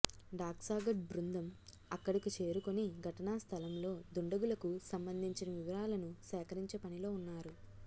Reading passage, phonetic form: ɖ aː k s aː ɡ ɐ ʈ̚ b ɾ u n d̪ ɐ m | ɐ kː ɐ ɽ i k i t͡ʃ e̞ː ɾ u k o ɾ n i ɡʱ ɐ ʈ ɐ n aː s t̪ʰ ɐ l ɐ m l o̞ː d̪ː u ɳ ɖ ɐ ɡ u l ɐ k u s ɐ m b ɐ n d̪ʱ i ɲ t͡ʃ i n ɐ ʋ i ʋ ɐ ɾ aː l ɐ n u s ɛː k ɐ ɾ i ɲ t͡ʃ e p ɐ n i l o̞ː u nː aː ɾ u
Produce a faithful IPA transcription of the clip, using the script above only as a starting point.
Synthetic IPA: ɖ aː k s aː ɡ ɐ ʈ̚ b ɾ u n d̪ ɐ m | ɐ kː ɐ ɽ i k i t͡ʃ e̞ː ɾ u k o n i ɡʱ ɐ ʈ ɐ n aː s t̪ʰ ɐ l ɐ m l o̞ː d̪ u ɳ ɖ ɐ ɡ u l ɐ k u s ɐ m b ɐ n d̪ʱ i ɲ t͡ʃ i n ɐ ʋ i ʋ ɐ ɾ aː l ɐ n u s ɛː k ɐ ɾ i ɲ t͡ʃ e p ɐ n i l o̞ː u nː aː ɾ u